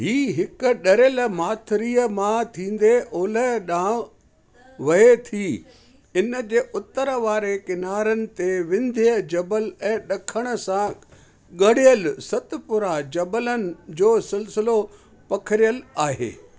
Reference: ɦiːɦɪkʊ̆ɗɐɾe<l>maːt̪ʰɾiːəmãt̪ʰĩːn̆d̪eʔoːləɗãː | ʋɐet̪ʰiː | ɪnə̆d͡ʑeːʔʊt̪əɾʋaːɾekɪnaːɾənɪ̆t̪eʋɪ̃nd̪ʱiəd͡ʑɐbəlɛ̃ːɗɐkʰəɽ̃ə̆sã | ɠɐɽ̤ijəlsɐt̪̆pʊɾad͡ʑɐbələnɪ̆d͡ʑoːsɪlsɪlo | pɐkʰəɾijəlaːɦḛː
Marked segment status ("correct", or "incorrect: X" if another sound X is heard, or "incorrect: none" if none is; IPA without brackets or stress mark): correct